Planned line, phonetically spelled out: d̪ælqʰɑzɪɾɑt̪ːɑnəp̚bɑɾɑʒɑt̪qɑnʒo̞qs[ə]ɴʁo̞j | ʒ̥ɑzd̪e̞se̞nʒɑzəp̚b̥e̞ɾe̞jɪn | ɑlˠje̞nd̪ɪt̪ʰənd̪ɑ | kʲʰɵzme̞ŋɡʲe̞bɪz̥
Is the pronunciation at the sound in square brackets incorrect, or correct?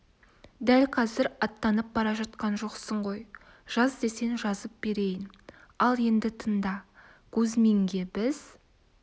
correct